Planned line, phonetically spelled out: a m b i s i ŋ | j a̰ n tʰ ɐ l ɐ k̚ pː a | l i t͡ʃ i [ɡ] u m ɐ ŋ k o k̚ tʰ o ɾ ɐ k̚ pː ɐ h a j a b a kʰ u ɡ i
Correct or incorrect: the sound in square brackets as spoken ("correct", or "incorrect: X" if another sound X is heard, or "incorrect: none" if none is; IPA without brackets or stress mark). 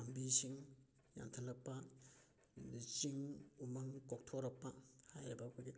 incorrect: ŋ